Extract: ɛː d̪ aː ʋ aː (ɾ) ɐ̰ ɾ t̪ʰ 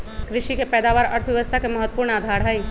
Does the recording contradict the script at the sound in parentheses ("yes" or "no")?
no